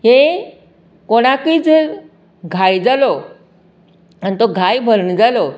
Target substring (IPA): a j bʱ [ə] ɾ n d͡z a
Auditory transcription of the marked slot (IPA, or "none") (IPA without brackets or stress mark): ə